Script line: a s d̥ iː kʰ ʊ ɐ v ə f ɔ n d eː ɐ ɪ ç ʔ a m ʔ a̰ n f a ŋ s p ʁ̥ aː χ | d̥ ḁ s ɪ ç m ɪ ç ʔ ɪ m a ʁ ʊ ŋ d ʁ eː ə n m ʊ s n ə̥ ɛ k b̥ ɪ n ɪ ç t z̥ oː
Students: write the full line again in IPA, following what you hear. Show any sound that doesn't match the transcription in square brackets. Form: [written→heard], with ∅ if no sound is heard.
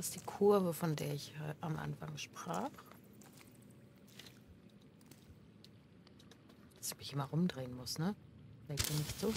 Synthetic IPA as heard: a s d̥ iː kʰ ʊ ɐ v ə f ɔ n d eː ɐ ɪ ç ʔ a m ʔ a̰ n f a ŋ [s→ʃ] p ʁ̥ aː χ | d̥ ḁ s ɪ ç m ɪ ç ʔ ɪ m a ʁ ʊ [ŋ→m] d ʁ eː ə n m ʊ s n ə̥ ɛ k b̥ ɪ n ɪ ç t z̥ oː